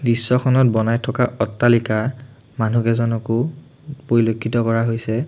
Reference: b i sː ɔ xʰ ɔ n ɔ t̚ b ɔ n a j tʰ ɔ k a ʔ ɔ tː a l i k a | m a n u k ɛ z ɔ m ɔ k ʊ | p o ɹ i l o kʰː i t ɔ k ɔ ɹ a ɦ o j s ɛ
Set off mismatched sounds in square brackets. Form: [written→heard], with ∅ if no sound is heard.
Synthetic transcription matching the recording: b i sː ɔ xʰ ɔ n ɔ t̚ b ɔ n a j tʰ ɔ k a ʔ ɔ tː a l i k a | m a n u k ɛ z ɔ [m→n] ɔ k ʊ | p o ɹ i l o kʰː i t ɔ k ɔ ɹ a ɦ o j s ɛ